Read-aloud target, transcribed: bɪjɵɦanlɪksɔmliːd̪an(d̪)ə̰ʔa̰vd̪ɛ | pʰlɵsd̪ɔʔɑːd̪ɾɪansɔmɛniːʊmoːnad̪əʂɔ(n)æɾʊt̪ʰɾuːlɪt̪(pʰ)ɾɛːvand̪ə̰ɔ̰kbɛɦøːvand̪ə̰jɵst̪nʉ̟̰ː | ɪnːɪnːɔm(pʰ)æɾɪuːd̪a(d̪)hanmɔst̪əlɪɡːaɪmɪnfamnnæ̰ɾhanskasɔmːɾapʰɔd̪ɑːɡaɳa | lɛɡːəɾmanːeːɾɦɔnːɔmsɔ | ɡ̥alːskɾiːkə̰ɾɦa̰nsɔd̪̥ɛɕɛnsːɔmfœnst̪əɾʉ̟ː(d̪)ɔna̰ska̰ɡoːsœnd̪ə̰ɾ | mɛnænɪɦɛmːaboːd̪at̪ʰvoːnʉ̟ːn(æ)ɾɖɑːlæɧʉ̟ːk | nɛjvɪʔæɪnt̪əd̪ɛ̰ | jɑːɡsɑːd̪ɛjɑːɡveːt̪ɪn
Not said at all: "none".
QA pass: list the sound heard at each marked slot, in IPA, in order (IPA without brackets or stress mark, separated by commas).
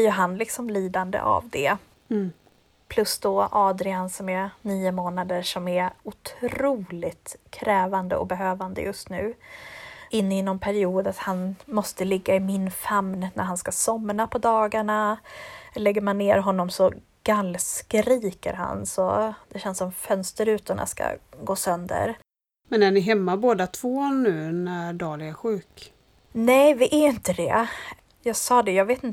d̪, m, kʰ, pʰ, t̪, t̪, æ